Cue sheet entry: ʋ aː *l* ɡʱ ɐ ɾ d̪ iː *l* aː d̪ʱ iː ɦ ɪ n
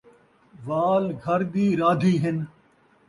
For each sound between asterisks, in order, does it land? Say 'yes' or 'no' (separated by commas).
yes, no